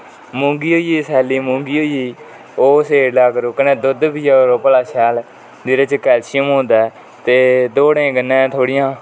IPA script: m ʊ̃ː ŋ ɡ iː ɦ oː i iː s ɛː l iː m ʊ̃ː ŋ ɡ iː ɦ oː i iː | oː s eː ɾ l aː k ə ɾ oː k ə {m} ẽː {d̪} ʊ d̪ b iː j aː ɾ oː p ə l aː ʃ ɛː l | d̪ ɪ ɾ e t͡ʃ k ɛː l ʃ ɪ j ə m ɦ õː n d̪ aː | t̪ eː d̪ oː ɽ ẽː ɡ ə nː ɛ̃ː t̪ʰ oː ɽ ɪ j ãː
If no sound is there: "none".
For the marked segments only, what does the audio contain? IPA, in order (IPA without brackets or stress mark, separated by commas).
n, d̪